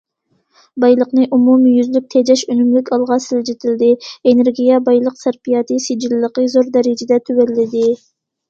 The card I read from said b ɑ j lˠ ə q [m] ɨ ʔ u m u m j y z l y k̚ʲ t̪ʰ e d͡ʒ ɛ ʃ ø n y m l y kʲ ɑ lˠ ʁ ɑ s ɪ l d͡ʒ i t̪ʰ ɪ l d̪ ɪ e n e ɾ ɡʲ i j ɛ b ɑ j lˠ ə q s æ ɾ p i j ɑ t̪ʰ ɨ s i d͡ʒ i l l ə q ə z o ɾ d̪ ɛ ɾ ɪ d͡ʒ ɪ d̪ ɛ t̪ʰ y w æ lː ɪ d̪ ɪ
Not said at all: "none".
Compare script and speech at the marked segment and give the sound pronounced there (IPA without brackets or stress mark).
n